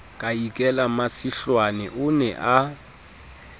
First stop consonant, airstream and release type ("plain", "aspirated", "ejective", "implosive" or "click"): ejective